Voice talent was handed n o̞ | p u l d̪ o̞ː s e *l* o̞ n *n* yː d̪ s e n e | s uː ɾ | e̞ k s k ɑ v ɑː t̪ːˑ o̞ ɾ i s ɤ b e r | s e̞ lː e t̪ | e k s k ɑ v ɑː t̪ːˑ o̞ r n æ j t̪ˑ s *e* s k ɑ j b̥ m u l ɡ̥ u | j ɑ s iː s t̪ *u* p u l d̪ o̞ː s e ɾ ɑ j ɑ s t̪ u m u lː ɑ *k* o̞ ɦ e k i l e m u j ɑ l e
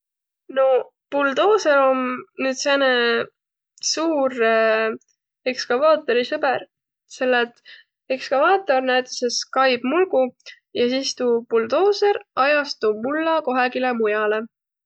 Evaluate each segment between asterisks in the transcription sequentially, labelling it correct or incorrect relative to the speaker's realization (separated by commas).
incorrect, correct, correct, incorrect, correct